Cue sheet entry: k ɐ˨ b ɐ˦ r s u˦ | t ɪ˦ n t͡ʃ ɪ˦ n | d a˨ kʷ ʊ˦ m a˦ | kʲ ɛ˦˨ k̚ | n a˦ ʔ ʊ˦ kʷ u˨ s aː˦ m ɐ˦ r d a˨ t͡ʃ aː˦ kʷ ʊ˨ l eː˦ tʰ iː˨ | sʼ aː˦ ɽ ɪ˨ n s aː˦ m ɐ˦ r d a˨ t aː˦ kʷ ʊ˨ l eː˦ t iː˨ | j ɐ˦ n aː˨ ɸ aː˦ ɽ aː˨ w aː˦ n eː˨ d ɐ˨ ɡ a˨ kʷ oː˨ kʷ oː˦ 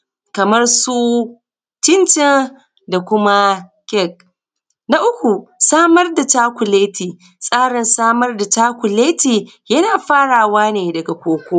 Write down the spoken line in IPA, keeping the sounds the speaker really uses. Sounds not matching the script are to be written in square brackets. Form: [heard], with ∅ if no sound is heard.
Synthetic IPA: k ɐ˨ [m] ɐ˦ r s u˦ | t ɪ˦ n t͡ʃ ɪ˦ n | d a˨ kʷ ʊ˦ m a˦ | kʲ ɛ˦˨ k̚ | n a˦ ʔ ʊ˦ kʷ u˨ s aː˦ m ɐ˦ r d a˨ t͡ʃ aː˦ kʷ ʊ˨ l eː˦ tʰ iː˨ | sʼ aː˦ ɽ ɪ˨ n s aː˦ m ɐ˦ r d a˨ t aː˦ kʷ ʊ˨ l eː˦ t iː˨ | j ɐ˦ n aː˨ ɸ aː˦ ɽ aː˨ w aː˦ n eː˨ d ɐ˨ ɡ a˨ kʷ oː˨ kʷ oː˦

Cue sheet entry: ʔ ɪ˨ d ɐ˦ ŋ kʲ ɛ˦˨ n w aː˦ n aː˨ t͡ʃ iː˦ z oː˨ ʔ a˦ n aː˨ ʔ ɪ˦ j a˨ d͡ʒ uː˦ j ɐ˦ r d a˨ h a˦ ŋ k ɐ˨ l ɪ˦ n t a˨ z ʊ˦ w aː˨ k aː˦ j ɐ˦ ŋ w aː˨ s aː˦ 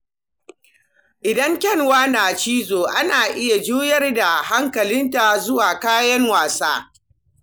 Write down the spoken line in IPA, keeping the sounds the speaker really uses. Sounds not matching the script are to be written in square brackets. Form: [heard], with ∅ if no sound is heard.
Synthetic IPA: ʔ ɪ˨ d ɐ˦ ŋ kʲ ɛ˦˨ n w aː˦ n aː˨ t͡ʃ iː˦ z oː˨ ʔ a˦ n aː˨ ʔ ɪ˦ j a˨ d͡ʒ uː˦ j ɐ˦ r d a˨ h a˦ ŋ k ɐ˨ l ɪ˦ n t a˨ z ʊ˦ w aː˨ k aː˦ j ɐ˦ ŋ w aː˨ s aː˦

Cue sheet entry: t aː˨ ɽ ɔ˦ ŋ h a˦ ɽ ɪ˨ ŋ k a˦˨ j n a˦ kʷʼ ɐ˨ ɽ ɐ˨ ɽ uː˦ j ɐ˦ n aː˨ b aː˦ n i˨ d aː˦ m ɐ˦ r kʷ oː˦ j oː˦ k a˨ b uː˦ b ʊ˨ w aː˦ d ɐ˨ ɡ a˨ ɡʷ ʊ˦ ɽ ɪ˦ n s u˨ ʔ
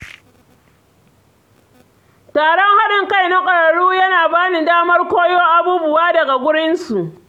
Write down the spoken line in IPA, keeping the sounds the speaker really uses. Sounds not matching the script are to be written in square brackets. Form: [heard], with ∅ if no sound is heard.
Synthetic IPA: t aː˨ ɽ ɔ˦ ŋ h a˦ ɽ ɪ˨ ŋ k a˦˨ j n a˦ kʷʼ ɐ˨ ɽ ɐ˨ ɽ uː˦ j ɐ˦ n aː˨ b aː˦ n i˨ d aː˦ m ɐ˦ r kʷ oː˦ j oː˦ [ʔ] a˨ b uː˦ b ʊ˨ w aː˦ d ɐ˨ ɡ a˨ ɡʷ ʊ˦ ɽ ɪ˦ n s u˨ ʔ

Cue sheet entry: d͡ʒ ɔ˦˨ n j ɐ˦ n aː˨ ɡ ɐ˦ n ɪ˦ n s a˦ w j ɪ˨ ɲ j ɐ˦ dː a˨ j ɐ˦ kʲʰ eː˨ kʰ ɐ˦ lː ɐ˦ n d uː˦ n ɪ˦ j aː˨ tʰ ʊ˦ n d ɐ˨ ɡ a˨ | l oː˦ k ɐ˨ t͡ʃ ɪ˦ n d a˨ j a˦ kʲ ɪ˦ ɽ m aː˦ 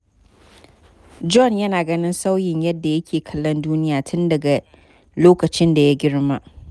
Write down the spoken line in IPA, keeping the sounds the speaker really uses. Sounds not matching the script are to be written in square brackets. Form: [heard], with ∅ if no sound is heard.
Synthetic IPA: d͡ʒ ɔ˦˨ n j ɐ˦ n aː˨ ɡ ɐ˦ n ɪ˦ n s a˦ w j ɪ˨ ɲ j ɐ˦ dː a˨ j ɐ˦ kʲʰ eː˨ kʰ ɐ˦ lː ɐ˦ n d uː˦ n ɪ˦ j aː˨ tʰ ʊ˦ n d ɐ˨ ɡ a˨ | l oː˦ k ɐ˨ t͡ʃ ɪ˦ n d a˨ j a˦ [ɡʲ] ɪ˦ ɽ m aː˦

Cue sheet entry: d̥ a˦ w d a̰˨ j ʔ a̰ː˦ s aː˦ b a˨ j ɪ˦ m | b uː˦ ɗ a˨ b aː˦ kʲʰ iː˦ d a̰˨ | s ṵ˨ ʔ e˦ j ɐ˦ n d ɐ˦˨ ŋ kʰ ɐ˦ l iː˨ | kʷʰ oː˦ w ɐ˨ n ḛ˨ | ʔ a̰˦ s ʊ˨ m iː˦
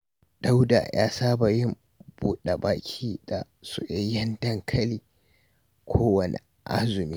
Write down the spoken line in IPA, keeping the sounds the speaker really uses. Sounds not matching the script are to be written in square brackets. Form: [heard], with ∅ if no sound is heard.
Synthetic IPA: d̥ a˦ w d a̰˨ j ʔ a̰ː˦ s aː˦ b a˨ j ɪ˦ m | b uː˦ ɗ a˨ b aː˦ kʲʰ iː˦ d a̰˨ | s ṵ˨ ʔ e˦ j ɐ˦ n d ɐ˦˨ ŋ kʰ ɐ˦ l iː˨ | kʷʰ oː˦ w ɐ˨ n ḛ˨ | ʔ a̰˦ [z] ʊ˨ m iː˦

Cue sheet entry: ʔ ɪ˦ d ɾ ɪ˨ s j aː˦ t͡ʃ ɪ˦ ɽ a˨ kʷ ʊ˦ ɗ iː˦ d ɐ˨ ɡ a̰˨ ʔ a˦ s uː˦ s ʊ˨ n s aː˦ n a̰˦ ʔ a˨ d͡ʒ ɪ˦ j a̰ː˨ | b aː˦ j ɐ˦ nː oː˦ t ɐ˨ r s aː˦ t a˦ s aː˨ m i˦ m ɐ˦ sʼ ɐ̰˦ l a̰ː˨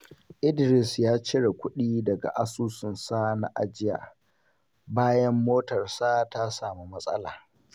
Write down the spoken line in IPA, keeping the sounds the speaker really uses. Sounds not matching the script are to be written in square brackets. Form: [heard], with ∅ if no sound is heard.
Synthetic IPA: ʔ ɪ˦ d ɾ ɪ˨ s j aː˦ t͡ʃ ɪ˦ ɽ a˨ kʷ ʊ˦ ɗ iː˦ d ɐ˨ ɡ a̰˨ ʔ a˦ s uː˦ s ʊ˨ n s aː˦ n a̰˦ ʔ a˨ d͡ʒ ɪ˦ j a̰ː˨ | b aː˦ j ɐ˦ [mː] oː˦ t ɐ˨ r s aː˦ t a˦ s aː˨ m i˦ m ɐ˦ sʼ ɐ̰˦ l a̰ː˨

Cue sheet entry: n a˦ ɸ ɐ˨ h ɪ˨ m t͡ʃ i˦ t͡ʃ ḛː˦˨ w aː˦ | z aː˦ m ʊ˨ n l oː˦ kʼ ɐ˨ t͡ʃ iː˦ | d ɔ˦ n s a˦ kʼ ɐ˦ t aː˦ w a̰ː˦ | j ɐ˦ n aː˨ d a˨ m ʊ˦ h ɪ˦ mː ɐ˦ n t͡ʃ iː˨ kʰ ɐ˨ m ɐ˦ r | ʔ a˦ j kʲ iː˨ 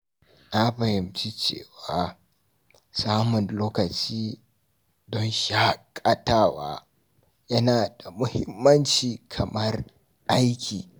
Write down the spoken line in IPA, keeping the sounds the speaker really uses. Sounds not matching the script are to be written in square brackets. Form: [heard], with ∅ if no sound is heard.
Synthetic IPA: n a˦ ɸ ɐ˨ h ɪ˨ m t͡ʃ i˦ t͡ʃ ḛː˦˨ w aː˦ | [s] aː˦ m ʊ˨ n l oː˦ [k] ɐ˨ t͡ʃ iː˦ | d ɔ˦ n [ʃ] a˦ kʼ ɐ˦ t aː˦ w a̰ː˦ | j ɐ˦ n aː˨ d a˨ m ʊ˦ h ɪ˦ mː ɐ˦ n t͡ʃ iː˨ kʰ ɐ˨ m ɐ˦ r | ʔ a˦ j kʲ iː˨

